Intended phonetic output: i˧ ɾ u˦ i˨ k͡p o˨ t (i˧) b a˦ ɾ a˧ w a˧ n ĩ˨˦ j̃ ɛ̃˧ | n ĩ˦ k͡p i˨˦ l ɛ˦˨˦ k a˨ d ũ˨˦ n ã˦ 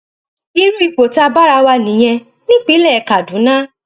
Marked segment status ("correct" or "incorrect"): incorrect